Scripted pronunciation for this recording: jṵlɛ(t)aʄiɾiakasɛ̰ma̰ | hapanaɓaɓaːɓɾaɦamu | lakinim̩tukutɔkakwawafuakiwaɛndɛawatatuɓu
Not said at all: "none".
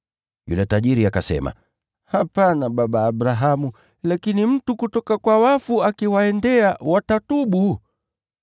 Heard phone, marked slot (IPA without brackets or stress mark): t